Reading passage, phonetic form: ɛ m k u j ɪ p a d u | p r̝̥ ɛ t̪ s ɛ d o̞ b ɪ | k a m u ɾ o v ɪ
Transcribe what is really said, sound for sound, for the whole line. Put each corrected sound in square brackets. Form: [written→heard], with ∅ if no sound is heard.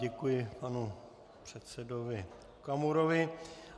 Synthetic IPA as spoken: ɛ [m→∅] k u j ɪ p a [d→n] u | p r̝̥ ɛ t̪ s ɛ d o̞ [b→v] ɪ | k a m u ɾ o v ɪ